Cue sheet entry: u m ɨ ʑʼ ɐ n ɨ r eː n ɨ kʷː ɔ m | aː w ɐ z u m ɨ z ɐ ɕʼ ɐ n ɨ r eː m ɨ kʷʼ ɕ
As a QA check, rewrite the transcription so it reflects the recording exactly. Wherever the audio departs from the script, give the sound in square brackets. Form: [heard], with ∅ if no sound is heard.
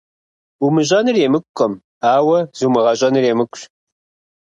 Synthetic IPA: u m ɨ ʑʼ ɐ n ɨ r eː [m] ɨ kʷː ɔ m | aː w ɐ z u m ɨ [ʁ] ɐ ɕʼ ɐ n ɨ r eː m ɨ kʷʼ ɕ